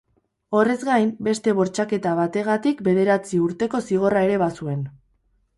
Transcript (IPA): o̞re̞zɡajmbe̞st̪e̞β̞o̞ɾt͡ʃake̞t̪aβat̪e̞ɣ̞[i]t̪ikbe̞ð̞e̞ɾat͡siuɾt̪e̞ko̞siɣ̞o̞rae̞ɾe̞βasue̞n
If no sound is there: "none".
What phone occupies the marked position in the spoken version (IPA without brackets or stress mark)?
a